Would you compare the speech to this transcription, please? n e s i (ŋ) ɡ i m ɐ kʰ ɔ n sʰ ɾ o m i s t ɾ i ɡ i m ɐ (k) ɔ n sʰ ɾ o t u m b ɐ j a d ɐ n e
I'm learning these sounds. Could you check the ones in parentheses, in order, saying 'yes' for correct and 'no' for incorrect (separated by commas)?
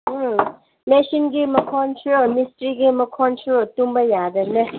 no, no